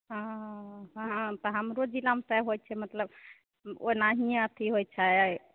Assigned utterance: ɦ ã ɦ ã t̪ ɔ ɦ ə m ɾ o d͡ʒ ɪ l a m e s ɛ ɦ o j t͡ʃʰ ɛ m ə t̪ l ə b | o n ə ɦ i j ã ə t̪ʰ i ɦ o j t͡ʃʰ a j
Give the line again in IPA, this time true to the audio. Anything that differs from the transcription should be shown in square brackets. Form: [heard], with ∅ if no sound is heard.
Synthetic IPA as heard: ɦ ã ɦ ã t̪ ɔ ɦ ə m ɾ o d͡ʒ [i] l a m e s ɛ ɦ o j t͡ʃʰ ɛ m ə t̪ l ə b | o n [a] ɦ i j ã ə t̪ʰ i ɦ o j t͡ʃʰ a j